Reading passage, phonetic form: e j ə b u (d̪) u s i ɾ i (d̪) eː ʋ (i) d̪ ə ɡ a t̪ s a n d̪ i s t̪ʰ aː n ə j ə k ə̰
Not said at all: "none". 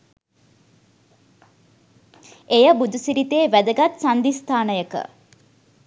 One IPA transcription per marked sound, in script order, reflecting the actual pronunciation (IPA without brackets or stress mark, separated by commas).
d̪, t̪, æ